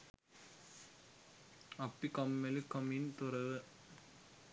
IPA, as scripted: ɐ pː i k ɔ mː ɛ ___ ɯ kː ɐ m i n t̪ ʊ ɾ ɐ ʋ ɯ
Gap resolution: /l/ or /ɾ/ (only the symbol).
l